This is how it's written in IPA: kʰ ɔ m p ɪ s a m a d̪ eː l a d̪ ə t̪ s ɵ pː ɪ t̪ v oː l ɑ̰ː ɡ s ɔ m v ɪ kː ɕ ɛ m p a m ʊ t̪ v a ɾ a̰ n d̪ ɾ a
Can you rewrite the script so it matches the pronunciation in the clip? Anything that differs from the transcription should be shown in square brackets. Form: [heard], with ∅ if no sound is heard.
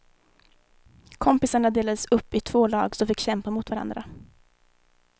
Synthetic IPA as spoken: kʰ ɔ m p ɪ s a [ɳ] a d̪ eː l a d̪ ə [∅] s ɵ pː ɪ [t̪ʰ] v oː l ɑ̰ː ɡ s ɔ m [f] ɪ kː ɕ ɛ m p a m ʊ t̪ v a ɾ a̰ n d̪ ɾ a

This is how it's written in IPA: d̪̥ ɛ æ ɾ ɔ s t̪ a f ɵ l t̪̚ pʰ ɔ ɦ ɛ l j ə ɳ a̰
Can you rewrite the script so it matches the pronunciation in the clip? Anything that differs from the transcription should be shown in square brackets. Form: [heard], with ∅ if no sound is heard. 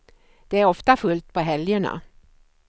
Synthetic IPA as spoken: d̪̥ ɛ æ ɾ ɔ [f] t̪ a f ɵ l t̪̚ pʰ ɔ ɦ ɛ l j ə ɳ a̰

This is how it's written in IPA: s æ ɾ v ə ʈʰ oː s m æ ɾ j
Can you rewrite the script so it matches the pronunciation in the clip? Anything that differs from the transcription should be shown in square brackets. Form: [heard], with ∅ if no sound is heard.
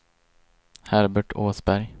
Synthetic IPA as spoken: [h] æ ɾ [b] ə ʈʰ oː s [b] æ ɾ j

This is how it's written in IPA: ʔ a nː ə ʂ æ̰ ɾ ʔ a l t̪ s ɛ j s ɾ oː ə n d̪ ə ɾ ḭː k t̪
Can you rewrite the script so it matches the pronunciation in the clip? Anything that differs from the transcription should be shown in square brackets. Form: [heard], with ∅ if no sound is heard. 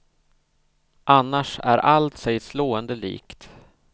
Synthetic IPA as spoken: ʔ a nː [a] ʂ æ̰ ɾ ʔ a l t̪ s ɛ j s [l] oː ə n d̪ ə [l] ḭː k t̪

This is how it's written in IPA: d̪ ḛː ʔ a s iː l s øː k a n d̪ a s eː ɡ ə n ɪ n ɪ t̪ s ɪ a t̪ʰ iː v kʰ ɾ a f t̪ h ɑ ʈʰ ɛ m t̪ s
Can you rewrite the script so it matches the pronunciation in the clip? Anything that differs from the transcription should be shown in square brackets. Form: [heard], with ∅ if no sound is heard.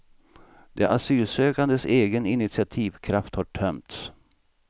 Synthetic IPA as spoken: d̪ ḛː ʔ a s [yː] l s øː k a n d̪ [ə] s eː ɡ ə n ɪ n ɪ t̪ s ɪ a t̪ʰ iː v kʰ ɾ a f t̪ h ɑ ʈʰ [œ] m t̪ s

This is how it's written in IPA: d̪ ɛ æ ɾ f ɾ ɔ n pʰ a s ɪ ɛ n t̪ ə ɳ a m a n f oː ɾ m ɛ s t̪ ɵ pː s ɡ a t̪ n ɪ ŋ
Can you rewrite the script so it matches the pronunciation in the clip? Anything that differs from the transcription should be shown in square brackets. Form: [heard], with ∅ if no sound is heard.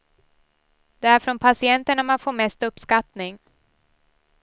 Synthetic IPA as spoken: d̪ ɛ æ ɾ f ɾ ɔ n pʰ a s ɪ ɛ n t̪ ə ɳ a m a n f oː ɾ m ɛ s t̪ ɵ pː s [k] a t̪ n ɪ ŋ

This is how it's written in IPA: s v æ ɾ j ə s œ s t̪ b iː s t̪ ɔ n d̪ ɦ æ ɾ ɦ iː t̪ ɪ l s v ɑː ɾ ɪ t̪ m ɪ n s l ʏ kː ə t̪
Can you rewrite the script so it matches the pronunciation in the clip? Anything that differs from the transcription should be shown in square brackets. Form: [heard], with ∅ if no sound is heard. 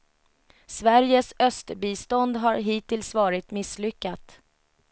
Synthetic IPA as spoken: s v æ ɾ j ə s œ s t̪ b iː s t̪ ɔ n d̪ ɦ [a] ɾ ɦ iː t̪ ɪ l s v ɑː ɾ ɪ t̪ m ɪ [∅] s l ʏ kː [a] t̪

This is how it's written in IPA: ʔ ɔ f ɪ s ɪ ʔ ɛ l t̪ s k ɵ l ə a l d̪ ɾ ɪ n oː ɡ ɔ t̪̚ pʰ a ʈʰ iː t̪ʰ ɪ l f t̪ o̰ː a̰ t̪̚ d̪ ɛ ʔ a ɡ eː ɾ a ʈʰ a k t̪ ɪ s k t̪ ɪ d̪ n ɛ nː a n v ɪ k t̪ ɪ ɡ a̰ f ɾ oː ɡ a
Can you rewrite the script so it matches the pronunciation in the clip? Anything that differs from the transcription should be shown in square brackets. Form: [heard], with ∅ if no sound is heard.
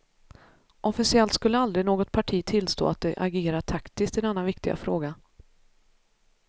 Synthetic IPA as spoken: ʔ ɔ f ɪ s ɪ [∅] ɛ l t̪ s k ɵ [lː] ə a l d̪ ɾ ɪ n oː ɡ ɔ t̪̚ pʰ a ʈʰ iː t̪ʰ ɪ l [s] t̪ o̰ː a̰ t̪̚ d̪ ɛ ʔ a ɡ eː ɾ a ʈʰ a k t̪ ɪ s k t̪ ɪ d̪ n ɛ nː a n v ɪ k t̪ ɪ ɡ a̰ f ɾ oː ɡ a

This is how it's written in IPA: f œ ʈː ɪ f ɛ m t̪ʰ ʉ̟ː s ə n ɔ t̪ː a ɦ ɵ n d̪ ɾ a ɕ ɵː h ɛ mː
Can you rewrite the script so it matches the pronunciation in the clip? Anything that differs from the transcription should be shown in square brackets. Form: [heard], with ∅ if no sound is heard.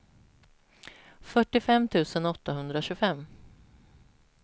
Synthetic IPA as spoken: f œ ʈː ɪ f ɛ m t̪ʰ ʉ̟ː s ə n ɔ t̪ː a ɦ ɵ n d̪ ɾ a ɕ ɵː [f] ɛ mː

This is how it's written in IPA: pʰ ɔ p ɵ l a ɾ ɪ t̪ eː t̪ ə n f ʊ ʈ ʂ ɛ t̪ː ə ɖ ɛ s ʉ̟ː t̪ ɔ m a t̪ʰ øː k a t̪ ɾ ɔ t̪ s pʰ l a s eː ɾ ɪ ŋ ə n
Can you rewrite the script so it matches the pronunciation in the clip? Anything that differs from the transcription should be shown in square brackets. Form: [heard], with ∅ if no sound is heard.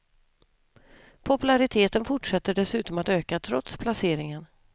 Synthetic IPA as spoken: pʰ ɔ p ɵ l a ɾ ɪ [t̪ʰ] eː t̪ ə n f ʊ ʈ ʂ ɛ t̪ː ə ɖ ɛ s ʉ̟ː t̪ ɔ m a [t̪] øː k a [t̪ʰ] ɾ ɔ t̪ s pʰ l a s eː ɾ ɪ ŋ ə n

